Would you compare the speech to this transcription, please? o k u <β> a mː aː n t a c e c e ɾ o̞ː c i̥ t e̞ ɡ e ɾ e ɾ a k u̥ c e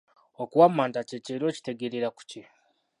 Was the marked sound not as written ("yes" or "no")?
yes